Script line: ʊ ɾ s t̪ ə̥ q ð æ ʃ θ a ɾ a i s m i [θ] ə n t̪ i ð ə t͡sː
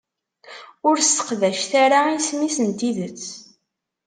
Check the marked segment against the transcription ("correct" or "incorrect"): incorrect